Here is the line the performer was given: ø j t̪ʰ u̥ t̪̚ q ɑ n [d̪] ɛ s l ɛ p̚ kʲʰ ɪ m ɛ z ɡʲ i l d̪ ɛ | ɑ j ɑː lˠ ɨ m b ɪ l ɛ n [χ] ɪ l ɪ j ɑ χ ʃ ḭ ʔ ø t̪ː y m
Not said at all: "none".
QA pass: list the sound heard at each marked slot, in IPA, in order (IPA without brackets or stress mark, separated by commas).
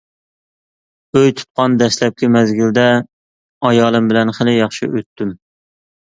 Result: d̪, χ